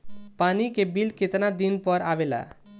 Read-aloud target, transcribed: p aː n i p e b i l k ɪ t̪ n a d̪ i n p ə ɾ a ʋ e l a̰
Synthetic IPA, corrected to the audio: p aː n i k e b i l k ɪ t̪ n a d̪ i n p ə ɾ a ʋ e l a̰